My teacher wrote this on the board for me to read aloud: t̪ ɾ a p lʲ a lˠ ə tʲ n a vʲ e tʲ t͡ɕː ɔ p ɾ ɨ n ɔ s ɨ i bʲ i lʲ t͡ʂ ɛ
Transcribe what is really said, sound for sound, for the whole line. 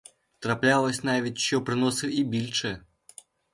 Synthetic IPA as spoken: t̪ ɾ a p lʲ a lˠ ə sʲ n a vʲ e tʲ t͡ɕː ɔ p ɾ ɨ n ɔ s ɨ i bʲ i lʲ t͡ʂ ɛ